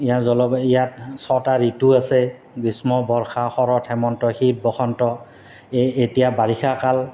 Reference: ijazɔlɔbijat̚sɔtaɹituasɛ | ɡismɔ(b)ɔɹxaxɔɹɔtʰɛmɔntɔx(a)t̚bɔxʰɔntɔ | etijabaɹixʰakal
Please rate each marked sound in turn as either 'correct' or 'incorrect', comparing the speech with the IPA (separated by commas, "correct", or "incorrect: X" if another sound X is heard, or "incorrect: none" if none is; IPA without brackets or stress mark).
correct, incorrect: i